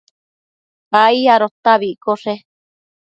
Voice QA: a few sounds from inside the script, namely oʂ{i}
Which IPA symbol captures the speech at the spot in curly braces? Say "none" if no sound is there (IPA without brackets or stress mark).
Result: e